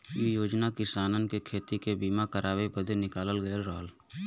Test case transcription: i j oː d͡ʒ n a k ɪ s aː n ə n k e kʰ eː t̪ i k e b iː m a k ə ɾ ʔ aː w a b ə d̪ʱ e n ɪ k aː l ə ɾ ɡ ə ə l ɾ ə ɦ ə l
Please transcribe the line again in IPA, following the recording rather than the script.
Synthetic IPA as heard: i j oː d͡ʒ n a k ɪ s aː n ə n k e kʰ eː t̪ i k e b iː m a k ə ɾ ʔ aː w e b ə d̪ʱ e n ɪ k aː l ə l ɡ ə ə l ɾ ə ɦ ə l

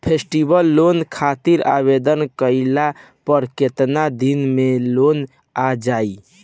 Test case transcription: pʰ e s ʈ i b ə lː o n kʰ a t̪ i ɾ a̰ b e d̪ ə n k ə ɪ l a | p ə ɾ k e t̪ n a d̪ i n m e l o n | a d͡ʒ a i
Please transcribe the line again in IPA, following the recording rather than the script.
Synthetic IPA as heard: pʰ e s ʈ i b ə lː o n kʰ a t̪ i ɾ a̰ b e d̪ ə n k ə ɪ l a | p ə ɾ k e t̪ n a d̪ i n m e l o n | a d͡ʒ a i

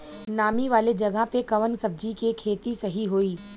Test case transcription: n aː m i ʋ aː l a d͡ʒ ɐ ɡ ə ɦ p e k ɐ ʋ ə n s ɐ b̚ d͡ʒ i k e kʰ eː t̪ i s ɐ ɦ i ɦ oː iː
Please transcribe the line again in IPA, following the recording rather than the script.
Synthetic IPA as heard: n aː m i ʋ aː l e d͡ʒ ɐ ɡ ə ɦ p e k ɐ ʋ ə n s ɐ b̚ d͡ʒ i k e kʰ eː t̪ i s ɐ ɦ i ɦ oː iː

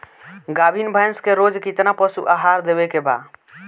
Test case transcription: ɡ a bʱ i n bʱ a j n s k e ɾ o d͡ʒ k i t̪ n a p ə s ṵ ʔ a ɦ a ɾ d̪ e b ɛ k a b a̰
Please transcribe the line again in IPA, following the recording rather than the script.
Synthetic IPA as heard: ɡ a bʱ i n bʱ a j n s k e ɾ o d͡ʒ k i t̪ n a p ə s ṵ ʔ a ɦ a ɾ d̪ e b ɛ k e b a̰

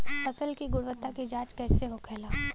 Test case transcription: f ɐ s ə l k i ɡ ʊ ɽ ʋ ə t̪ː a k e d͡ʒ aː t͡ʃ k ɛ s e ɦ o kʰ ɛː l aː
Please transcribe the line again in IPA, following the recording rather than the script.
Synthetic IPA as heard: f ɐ s ə l k i ɡ ʊ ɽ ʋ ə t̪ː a k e d͡ʒ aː t͡ʃ k ɛː s e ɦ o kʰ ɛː l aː

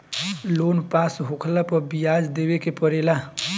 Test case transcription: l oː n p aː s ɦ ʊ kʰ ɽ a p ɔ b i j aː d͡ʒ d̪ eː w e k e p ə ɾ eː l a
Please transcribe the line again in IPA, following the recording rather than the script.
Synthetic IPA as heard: l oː n p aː s ɦ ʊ kʰ l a p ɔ b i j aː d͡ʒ d̪ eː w e k e p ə ɾ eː l a

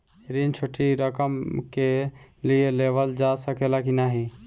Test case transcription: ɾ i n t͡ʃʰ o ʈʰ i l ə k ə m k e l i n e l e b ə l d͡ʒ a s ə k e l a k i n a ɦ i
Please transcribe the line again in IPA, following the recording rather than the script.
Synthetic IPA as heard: ɾ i n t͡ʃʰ o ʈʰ i ɾ ə k ə m k e l i e l e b ə l d͡ʒ a s ə k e l a k i n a ɦ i

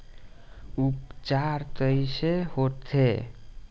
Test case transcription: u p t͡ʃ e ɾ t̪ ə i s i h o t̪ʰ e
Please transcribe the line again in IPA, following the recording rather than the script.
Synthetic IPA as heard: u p t͡ʃ a ɾ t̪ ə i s e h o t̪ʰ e

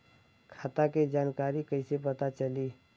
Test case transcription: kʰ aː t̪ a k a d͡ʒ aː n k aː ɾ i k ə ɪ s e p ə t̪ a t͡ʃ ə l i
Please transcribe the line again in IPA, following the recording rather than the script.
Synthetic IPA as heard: kʰ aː t̪ a k e d͡ʒ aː n k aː ɾ i k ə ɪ s e p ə t̪ a t͡ʃ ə l i

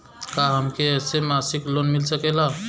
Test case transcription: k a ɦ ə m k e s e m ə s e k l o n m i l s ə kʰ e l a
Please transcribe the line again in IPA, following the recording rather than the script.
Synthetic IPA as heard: k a ɦ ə m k e s e m a s i k l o n m i l s ə k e l a

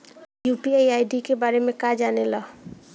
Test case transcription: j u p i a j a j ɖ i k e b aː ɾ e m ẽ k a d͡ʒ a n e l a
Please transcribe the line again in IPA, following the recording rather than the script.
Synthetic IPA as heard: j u p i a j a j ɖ i k e b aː ɾ e m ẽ k a d͡ʒ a n e l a

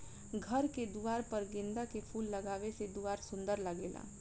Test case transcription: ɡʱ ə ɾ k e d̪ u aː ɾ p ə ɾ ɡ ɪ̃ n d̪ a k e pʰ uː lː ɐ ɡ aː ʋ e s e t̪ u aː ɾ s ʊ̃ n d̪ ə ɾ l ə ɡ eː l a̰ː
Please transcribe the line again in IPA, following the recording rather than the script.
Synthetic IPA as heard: ɡʱ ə ɾ k e d̪ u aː ɾ p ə ɾ ɡ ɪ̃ n d̪ a k e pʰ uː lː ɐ ɡ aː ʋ e s e d̪ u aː ɾ s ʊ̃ n d̪ ə ɾ l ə ɡ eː l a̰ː

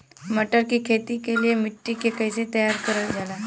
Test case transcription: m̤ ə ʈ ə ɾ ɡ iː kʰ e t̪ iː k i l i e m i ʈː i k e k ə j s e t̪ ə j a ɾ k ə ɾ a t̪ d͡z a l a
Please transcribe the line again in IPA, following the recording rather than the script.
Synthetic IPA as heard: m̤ ə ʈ ə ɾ k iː kʰ e t̪ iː k e l i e m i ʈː i k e k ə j s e t̪ ə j a ɾ k ə ɾ ə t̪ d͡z a l a

